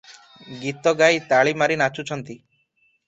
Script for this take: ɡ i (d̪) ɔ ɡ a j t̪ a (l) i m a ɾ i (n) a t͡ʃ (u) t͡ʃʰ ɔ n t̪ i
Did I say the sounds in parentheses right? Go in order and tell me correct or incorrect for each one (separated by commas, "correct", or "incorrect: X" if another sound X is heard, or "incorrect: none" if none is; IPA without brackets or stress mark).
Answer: incorrect: t̪, incorrect: ɭ, correct, correct